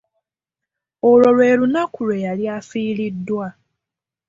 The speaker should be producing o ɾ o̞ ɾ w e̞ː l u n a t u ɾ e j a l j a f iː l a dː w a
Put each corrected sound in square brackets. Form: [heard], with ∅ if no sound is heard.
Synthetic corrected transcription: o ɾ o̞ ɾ w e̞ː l u n a [k] u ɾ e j a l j a f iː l [i] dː w a